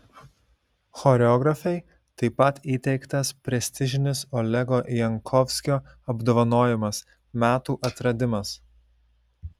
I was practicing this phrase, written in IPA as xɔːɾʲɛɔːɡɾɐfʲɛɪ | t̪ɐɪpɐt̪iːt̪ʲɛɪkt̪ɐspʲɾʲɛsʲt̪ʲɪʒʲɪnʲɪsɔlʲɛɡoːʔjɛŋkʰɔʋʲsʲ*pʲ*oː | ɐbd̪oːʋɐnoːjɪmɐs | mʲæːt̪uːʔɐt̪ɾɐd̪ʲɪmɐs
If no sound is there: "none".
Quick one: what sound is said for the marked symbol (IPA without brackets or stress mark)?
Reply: kʲ